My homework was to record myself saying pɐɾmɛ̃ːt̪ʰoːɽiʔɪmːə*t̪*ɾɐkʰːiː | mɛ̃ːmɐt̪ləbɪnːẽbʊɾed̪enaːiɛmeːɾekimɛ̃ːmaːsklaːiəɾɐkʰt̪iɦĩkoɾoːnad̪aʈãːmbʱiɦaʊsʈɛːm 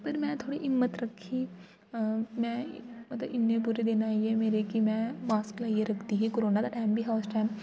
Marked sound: correct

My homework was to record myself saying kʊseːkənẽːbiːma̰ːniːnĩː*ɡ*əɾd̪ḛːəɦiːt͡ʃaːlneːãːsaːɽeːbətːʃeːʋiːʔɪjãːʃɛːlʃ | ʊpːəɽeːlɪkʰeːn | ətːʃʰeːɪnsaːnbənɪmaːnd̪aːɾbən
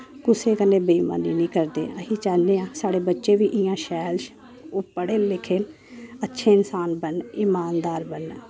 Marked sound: incorrect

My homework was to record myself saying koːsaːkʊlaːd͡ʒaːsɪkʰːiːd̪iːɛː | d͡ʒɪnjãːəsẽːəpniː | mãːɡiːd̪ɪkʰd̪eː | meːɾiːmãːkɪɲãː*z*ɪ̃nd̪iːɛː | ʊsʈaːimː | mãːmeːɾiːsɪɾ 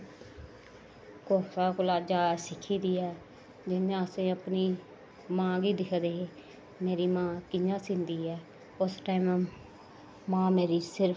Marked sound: incorrect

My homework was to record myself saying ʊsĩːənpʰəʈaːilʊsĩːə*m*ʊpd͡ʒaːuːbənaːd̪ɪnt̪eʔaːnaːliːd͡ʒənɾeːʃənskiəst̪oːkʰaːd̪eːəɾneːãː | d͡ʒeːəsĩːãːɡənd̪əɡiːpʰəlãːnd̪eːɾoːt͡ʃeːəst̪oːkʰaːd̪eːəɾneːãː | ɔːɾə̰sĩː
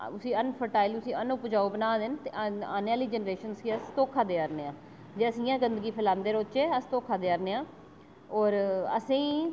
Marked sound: incorrect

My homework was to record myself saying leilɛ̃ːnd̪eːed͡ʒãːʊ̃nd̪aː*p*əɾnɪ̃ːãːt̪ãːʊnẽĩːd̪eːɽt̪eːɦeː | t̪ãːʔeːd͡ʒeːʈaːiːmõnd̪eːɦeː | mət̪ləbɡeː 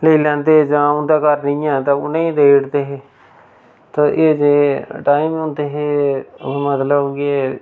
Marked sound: incorrect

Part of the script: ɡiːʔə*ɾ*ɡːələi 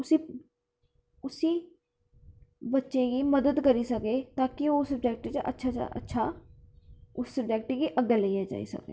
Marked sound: incorrect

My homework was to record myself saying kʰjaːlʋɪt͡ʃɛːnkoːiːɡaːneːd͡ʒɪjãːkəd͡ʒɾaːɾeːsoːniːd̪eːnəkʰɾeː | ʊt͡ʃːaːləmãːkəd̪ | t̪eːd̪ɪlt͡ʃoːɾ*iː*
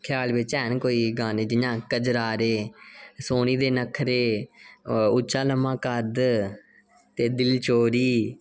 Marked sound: correct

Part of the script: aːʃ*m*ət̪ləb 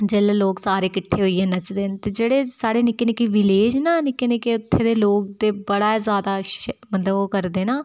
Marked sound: correct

